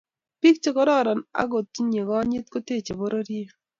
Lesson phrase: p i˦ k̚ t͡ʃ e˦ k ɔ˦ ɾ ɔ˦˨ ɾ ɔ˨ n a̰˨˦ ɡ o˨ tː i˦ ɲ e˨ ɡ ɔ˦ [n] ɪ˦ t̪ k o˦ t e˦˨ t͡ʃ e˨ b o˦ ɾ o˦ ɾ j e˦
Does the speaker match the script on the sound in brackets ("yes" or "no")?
no